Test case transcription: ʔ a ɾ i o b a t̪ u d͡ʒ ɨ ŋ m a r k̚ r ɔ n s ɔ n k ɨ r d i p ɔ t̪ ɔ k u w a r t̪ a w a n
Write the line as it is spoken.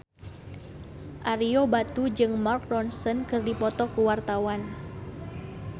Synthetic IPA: ʔ a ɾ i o b a t̪ u d͡ʒ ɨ ŋ m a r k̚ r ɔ n s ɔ n k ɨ r d i p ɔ t̪ ɔ k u w a r t̪ a w a n

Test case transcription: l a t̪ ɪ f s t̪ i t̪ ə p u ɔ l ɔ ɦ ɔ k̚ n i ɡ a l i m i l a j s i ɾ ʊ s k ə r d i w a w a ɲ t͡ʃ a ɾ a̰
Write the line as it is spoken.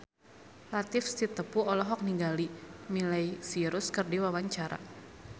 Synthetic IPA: l a t̪ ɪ f s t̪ i t̪ ə p u ɔ l ɔ ɦ ɔ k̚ n i ɡ a l i m i l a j s i ɾ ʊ s k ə r d i w a w a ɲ t͡ʃ a ɾ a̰

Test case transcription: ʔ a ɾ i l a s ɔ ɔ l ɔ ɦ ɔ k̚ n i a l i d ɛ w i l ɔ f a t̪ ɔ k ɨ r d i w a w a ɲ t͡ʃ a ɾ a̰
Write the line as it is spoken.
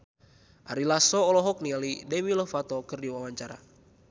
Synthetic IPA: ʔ a ɾ i l a s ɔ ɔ l ɔ ɦ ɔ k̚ n i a l i d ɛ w i l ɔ f a t̪ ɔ k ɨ r d i w a w a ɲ t͡ʃ a ɾ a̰

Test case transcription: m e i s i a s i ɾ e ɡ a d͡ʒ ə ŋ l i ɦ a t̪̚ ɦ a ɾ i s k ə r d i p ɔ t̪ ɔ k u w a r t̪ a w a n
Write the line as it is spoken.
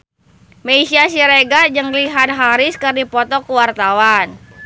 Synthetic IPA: m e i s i a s i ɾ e ɡ a d͡ʒ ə ŋ l i ɦ a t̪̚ ɦ a ɾ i s k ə r d i p ɔ t̪ ɔ k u w a r t̪ a w a n

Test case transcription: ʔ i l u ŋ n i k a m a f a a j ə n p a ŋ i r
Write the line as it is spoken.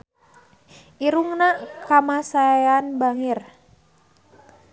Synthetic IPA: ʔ i ɾ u ŋ n a k a m a s a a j a n b a ŋ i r

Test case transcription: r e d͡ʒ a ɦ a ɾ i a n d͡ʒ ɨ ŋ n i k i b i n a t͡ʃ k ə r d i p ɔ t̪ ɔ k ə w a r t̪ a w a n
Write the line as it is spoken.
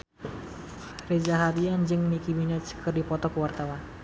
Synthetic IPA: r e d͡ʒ a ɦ a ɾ i a n d͡ʒ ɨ ŋ n i k i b i n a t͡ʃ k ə r d i p ɔ t̪ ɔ k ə w a r t̪ a w a n

